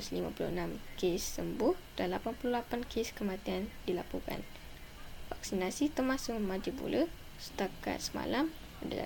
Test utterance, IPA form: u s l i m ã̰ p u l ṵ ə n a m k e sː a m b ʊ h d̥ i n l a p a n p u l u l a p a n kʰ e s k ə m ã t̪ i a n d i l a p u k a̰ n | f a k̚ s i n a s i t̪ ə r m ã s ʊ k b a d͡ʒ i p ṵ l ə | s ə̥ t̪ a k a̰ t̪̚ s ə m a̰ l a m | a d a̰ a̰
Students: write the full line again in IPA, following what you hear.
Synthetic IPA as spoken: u s l i m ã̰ p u l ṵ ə n a m k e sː ə m b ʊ h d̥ a n l a p a n p u l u l a p a n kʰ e s k ə m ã t̪ i a n d i l a p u k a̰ n | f a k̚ s i n a s i t̪ ə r m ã s ʊ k m a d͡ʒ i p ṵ l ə | s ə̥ t̪ a k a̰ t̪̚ s ə m a̰ l a m | a d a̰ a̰